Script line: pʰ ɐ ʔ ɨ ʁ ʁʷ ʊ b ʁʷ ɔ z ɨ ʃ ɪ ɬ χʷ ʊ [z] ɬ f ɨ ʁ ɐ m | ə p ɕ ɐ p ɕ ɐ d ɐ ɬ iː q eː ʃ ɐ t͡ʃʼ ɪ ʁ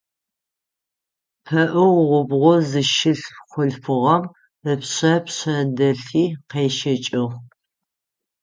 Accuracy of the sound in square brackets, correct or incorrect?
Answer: incorrect